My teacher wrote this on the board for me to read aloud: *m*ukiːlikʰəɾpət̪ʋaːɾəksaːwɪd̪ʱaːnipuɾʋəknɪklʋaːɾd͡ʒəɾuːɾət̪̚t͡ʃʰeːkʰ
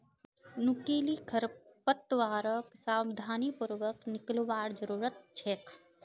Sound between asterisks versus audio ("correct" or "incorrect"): incorrect